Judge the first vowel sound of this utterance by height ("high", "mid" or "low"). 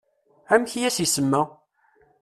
low